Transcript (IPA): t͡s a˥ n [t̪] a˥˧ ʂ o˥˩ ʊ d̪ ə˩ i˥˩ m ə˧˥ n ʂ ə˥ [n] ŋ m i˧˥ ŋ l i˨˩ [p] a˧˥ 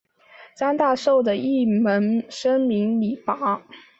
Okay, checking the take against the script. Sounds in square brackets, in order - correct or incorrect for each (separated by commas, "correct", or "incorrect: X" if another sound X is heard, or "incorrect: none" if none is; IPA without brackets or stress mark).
correct, incorrect: none, correct